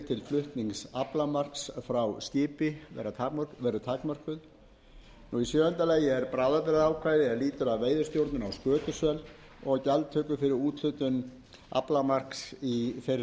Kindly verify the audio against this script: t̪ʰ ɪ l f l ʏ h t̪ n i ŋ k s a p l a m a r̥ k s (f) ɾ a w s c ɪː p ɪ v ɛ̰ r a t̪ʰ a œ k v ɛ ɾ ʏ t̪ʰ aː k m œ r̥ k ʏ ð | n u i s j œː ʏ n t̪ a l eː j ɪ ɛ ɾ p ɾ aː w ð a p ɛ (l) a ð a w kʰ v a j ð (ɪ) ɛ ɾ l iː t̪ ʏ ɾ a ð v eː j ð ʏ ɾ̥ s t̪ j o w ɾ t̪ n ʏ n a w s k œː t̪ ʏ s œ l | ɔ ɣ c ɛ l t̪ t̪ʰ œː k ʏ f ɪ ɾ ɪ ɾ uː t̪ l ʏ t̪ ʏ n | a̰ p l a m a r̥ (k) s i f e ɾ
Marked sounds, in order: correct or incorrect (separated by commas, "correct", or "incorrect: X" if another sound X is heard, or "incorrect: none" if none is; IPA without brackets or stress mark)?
correct, incorrect: ɾ, correct, correct